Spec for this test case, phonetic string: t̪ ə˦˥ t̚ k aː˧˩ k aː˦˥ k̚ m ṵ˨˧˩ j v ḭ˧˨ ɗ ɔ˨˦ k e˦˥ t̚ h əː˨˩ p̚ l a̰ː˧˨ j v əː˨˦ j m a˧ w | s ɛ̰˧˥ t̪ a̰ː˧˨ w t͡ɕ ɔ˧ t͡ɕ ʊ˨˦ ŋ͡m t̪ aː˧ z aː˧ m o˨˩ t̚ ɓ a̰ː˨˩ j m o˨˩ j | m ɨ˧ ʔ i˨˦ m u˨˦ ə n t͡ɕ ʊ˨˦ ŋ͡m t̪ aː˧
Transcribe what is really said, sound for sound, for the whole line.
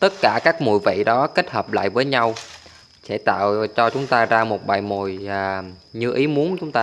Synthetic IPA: t̪ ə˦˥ t̚ k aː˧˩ k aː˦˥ k̚ m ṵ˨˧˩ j v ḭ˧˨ ɗ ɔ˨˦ k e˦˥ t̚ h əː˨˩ p̚ l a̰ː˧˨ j v əː˨˦ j ɲ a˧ w | s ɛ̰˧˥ t̪ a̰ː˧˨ w t͡ɕ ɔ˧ t͡ɕ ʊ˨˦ ŋ͡m t̪ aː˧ z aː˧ m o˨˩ t̚ ɓ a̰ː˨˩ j m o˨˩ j | ɲ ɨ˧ ʔ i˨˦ m u˨˦ ə n t͡ɕ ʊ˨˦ ŋ͡m t̪ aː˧